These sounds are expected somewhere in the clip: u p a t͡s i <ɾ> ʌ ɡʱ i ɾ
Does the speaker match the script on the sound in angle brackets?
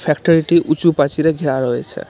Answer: yes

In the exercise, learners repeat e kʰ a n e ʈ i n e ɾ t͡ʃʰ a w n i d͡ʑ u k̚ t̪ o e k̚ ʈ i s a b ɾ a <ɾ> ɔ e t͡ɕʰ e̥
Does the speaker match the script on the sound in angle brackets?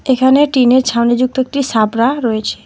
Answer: yes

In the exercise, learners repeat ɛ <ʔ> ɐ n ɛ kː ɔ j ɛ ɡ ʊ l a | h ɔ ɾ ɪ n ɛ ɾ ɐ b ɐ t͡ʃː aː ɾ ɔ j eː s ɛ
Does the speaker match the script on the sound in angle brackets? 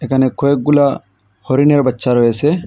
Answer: no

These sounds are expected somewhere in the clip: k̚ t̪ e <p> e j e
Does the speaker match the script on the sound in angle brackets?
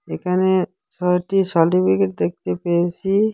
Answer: yes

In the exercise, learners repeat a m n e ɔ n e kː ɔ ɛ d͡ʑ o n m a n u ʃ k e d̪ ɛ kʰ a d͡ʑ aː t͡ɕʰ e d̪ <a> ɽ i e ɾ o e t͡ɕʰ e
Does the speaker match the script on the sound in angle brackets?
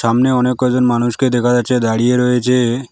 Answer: yes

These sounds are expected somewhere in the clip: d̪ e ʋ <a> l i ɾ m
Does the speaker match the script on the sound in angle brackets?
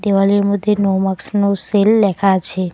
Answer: yes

